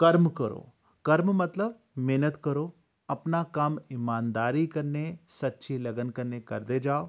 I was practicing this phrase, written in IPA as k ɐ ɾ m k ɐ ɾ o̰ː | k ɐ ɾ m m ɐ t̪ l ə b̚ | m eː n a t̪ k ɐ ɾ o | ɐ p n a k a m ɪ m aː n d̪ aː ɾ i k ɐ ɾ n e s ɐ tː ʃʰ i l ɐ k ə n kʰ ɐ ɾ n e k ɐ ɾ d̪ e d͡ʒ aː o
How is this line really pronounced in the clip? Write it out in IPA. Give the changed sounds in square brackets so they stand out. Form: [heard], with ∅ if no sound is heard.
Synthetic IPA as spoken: k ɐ ɾ m k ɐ ɾ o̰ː | k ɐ ɾ m m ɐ t̪ l ə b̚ | m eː n [ə] t̪ k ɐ ɾ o | ɐ p n a k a m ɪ m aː n d̪ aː ɾ i k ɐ ɾ n e s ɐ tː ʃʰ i l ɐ [ɡ] ə n [k] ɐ ɾ n e k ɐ ɾ d̪ e d͡ʒ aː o